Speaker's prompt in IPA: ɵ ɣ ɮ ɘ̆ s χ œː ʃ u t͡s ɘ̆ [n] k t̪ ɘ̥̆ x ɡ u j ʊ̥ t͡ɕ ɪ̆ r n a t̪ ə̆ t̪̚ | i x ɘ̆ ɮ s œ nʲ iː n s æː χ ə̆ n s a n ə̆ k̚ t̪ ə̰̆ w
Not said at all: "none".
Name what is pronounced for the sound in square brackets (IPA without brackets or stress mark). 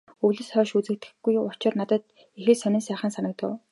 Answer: none